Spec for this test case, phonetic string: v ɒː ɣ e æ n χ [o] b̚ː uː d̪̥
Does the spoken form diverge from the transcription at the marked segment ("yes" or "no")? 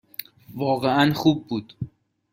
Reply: yes